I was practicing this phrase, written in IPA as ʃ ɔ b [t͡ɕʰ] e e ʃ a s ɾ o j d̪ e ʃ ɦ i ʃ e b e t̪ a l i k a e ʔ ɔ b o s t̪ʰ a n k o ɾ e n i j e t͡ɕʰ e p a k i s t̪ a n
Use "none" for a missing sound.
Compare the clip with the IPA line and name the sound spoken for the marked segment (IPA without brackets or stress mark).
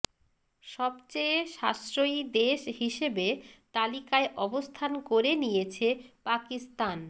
t͡ɕ